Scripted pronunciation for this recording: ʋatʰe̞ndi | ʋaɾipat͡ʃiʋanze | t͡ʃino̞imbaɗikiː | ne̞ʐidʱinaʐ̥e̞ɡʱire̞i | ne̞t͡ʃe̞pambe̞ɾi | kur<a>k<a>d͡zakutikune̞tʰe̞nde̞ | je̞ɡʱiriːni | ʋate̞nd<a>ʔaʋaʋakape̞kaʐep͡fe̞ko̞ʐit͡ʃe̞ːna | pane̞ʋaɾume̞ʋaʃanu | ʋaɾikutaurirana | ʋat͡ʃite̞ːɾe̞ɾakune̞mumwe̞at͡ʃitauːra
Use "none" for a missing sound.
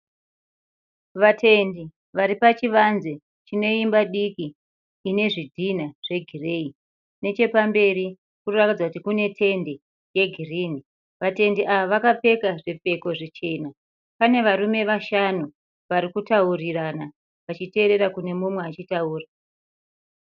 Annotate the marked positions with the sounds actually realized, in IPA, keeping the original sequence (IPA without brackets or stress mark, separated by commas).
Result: a, i, i